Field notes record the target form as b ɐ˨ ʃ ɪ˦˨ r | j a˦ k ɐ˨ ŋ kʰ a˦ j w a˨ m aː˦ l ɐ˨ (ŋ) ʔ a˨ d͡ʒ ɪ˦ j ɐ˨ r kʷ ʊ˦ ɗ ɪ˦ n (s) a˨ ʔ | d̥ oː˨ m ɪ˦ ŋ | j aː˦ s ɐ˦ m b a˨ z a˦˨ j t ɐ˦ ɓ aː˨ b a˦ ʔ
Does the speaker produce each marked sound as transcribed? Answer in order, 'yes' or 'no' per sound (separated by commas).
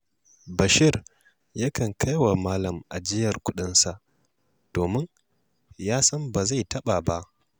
no, yes